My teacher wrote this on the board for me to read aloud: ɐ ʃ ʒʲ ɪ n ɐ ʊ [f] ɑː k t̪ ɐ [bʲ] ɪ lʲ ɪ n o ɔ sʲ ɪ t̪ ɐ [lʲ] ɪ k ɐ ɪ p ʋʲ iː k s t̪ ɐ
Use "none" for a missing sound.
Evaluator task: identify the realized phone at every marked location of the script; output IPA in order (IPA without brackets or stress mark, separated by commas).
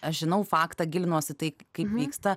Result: f, ɡʲ, none